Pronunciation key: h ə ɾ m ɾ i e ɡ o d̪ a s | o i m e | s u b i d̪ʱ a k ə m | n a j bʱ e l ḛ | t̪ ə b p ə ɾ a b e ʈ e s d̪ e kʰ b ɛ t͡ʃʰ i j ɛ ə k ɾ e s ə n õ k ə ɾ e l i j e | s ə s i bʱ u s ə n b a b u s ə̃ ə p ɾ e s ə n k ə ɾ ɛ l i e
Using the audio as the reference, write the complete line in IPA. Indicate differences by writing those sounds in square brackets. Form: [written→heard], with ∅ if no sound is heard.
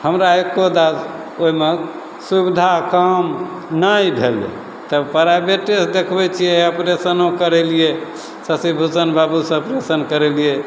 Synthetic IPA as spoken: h ə [ɾ→∅] m ɾ [i→a] e [ɡ→k] o d̪ a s | o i m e | s u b i d̪ʱ a k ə m | n a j bʱ e l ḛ | t̪ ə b p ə ɾ a b e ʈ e s d̪ e kʰ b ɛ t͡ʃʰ i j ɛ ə [k→p] ɾ e s ə n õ k ə ɾ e l i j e | s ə s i bʱ u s ə n b a b u s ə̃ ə p ɾ e s ə n k ə ɾ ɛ l i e